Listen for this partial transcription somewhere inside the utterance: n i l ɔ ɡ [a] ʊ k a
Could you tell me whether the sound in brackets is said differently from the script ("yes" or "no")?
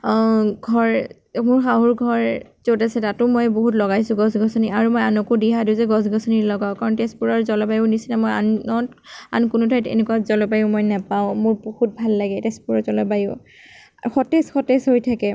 no